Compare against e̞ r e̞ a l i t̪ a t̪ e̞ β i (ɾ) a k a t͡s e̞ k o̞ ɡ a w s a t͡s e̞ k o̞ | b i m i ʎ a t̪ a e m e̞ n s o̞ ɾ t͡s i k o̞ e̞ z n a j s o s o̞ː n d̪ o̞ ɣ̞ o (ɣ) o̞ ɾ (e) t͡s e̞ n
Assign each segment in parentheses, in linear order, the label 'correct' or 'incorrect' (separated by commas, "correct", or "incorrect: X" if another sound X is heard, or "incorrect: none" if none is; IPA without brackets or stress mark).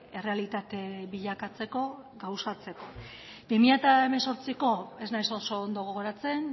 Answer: incorrect: ʎ, correct, incorrect: a